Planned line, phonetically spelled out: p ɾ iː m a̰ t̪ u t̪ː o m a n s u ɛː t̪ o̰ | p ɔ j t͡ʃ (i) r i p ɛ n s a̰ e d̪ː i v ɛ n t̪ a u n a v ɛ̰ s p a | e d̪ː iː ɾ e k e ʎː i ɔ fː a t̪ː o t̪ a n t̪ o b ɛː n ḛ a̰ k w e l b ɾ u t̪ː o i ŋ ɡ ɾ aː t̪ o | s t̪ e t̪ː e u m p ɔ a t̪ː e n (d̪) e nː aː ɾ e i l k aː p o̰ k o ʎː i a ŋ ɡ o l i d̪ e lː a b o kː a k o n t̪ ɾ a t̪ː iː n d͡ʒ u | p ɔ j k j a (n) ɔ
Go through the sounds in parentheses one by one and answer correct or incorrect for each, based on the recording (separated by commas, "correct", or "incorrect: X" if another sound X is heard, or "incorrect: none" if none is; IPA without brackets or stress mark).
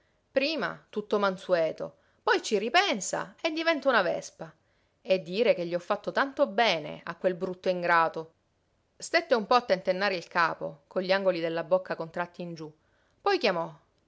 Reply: correct, incorrect: t̪, incorrect: m